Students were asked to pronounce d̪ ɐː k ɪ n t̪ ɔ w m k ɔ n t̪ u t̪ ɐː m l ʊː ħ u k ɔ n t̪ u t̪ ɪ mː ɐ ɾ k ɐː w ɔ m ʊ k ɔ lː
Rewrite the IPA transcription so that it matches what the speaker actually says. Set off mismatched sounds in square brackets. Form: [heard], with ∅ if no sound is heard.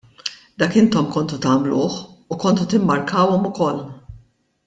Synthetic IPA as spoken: d̪ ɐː k ɪ n t̪ ɔ [∅] m k ɔ n t̪ u t̪ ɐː m l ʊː ħ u k ɔ n t̪ u t̪ ɪ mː ɐ ɾ k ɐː w ɔ m ʊ k ɔ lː